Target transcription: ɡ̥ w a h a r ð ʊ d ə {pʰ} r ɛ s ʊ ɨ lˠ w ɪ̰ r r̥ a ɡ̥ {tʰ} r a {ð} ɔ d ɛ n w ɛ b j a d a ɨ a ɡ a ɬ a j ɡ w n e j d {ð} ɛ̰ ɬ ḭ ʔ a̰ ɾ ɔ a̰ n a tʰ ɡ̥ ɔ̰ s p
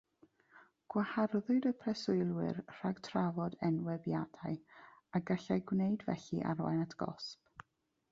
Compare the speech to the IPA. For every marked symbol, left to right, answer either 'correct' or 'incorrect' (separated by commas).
correct, correct, incorrect, incorrect